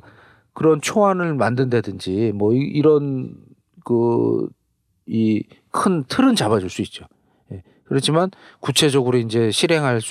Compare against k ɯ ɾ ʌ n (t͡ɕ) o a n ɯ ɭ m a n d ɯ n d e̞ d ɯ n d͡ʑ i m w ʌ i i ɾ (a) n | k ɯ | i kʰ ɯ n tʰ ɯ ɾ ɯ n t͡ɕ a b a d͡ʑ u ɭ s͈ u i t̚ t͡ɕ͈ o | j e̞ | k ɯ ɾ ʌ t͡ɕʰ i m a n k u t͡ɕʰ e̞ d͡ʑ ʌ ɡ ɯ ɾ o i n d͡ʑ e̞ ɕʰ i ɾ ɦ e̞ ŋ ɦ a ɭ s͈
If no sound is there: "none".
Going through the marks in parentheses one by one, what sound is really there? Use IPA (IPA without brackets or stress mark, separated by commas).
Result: t͡ɕʰ, ʌ